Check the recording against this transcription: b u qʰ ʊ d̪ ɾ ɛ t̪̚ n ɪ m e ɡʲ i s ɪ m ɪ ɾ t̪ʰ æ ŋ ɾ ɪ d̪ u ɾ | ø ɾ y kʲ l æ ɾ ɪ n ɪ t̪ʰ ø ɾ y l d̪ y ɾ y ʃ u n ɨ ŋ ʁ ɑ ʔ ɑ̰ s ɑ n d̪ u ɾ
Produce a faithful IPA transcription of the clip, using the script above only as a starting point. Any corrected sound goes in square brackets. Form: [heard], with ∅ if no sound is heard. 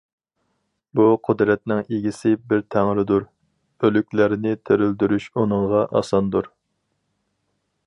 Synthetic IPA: b u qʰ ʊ d̪ ɾ ɛ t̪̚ n ɪ [ŋ] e ɡʲ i s ɪ [b] ɪ ɾ t̪ʰ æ ŋ ɾ ɪ d̪ u ɾ | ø [l] y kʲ l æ ɾ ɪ n ɪ t̪ʰ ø ɾ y l d̪ y ɾ y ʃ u n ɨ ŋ ʁ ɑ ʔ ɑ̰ s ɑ n d̪ u ɾ